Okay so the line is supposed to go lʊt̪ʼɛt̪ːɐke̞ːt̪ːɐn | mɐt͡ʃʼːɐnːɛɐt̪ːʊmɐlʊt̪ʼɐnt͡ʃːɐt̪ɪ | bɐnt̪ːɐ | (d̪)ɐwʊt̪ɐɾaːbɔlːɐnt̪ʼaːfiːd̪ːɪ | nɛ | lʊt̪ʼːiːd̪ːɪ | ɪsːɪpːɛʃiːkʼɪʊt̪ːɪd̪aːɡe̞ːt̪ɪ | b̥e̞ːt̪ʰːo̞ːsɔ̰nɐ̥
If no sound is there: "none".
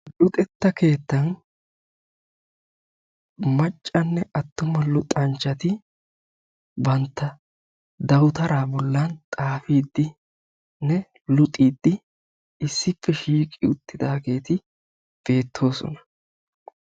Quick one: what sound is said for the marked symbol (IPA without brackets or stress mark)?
d̪